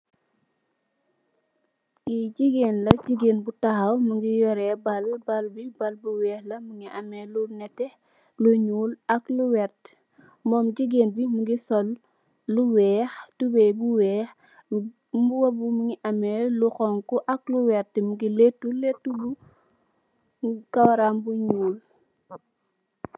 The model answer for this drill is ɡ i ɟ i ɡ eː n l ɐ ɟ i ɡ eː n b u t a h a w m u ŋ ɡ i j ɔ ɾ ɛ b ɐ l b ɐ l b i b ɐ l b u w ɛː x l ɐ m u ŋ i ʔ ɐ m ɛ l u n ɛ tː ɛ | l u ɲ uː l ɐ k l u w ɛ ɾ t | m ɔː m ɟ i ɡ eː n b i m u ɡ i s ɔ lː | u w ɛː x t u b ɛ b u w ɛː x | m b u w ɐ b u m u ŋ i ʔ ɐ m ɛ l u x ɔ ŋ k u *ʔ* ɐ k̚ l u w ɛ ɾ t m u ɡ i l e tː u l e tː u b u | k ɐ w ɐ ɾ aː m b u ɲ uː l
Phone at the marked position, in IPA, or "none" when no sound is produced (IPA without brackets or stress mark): ʔ